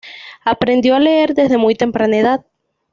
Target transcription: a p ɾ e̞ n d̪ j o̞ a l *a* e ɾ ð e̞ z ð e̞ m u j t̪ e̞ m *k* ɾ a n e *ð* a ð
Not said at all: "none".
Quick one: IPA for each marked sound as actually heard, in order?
e, p, ð

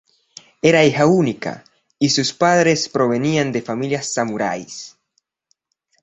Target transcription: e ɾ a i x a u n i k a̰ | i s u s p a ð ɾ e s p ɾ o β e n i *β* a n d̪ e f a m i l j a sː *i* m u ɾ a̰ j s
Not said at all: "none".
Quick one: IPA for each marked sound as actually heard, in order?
none, a

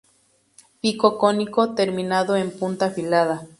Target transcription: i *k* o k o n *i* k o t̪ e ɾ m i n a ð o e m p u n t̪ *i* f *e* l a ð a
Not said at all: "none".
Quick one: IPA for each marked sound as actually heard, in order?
k, i, a, i

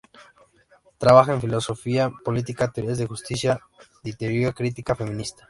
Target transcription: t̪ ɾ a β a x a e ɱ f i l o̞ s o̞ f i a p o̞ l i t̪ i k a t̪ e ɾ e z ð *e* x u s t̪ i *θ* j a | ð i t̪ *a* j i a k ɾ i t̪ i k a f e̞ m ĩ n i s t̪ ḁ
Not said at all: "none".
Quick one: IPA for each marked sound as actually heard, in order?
e, s, e

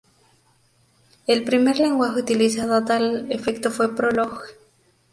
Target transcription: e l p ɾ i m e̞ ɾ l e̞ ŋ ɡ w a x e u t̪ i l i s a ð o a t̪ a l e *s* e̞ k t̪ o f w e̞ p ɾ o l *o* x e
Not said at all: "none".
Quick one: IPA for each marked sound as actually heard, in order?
f, o

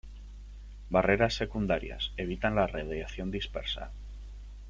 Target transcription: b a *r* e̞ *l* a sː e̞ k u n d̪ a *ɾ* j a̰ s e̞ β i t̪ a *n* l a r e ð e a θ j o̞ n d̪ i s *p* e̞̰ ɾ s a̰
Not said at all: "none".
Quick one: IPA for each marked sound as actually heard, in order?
r, ɾ, ɾ, n, p

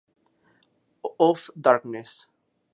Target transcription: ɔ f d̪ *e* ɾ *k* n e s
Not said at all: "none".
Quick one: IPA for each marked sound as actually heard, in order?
a, k

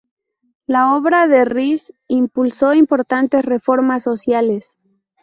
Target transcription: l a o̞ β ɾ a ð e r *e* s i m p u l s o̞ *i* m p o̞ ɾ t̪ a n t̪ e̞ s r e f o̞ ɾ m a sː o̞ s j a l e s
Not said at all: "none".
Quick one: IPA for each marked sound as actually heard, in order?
i, i

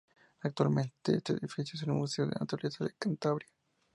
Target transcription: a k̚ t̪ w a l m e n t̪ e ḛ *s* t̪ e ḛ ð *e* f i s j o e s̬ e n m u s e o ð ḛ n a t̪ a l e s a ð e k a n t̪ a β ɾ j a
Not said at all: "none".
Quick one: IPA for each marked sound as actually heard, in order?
s, i

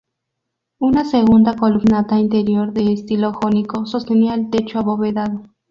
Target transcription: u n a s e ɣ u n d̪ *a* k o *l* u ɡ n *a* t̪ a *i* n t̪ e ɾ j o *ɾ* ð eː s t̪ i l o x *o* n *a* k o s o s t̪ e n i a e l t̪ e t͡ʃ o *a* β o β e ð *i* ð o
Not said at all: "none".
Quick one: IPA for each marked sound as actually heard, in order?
a, l, a, i, ɾ, o, i, a, a

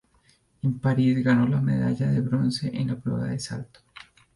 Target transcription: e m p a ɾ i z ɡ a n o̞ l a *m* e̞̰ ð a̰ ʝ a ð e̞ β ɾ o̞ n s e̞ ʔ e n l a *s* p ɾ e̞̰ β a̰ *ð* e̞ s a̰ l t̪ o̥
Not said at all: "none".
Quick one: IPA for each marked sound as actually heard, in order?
m, none, ð

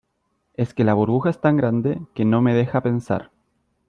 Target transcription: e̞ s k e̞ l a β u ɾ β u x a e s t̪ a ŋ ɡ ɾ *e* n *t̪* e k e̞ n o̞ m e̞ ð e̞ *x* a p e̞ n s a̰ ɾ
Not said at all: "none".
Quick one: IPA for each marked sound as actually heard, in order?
a, d̪, x

